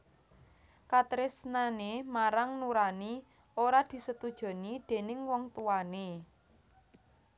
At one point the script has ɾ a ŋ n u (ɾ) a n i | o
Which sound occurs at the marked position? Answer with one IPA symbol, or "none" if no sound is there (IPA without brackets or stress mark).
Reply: ɾ